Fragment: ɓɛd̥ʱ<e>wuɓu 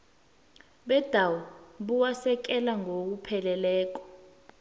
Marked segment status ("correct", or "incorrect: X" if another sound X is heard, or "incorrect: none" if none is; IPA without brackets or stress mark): incorrect: a